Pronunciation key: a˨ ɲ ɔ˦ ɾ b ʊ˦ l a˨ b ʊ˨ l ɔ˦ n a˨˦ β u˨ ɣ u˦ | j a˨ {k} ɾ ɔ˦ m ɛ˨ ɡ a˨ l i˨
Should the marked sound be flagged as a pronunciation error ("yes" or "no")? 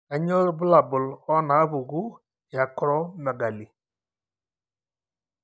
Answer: no